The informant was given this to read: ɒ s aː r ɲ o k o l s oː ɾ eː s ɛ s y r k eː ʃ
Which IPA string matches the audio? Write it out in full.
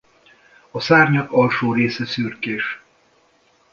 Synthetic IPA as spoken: ɒ s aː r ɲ ɒ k ɒ l ʃ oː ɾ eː s ɛ s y r k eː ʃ